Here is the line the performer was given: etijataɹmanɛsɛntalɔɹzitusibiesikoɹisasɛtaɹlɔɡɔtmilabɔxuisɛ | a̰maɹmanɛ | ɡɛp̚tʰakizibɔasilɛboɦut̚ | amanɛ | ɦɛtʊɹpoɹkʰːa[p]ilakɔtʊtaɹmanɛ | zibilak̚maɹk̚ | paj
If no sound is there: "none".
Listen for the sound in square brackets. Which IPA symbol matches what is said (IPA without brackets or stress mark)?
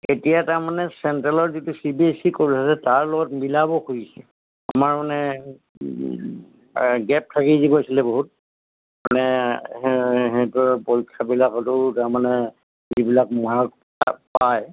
b